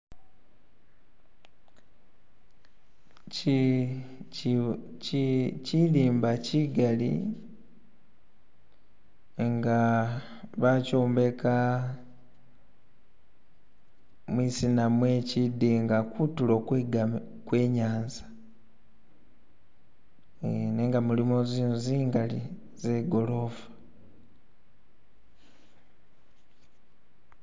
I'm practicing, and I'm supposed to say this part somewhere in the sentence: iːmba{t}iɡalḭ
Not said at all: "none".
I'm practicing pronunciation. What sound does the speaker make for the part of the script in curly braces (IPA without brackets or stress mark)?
c